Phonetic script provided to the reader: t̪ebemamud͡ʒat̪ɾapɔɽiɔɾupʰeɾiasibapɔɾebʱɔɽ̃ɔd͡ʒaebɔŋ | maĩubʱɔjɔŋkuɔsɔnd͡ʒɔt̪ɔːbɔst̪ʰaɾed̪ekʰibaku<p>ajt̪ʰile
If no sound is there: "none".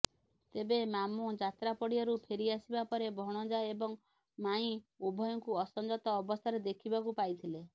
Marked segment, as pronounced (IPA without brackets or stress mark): p